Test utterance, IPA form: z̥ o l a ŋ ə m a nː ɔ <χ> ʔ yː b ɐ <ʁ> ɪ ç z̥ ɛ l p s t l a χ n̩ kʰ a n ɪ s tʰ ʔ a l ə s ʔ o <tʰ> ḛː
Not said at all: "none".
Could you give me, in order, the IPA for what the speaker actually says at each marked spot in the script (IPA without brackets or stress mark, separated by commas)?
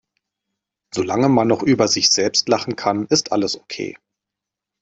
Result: χ, z, kʰ